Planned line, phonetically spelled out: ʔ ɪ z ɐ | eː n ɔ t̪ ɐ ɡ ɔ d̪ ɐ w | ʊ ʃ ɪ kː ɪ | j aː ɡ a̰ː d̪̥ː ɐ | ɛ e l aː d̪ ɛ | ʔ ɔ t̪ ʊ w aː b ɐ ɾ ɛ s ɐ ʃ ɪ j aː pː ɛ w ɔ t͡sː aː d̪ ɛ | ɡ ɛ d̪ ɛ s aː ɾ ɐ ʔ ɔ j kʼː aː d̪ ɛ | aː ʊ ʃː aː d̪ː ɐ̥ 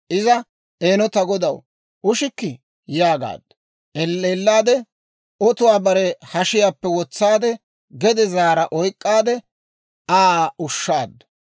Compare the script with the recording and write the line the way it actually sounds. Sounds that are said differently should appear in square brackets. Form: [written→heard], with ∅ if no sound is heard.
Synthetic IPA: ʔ ɪ z ɐ | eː n ɔ t̪ ɐ ɡ ɔ d̪ ɐ w | ʊ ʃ ɪ kː ɪ | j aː ɡ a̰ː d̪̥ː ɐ | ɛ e [l→lː] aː d̪ ɛ | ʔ ɔ t̪ ʊ w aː b ɐ ɾ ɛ [s→h] ɐ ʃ ɪ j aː pː ɛ w ɔ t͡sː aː d̪ ɛ | ɡ ɛ d̪ ɛ [s→z] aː ɾ ɐ ʔ ɔ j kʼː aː d̪ ɛ | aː ʊ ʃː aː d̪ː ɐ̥